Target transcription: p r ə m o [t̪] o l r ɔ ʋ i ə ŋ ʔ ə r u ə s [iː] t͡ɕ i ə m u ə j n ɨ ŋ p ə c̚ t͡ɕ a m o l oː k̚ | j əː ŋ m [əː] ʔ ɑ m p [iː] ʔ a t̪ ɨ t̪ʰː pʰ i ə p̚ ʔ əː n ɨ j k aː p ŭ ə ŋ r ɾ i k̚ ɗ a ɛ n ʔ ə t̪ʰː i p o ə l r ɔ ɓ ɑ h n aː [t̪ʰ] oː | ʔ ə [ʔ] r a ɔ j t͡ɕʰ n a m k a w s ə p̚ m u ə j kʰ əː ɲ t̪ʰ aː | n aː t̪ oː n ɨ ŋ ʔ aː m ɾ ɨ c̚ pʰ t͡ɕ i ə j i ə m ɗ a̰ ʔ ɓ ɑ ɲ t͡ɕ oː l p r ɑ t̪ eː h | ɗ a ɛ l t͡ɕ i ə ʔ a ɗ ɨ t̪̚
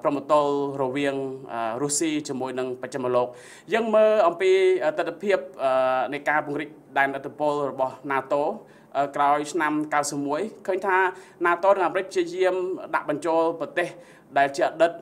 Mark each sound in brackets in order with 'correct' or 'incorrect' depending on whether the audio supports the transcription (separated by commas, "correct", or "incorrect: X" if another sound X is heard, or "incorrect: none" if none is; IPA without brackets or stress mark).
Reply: correct, correct, correct, correct, incorrect: t̪, incorrect: k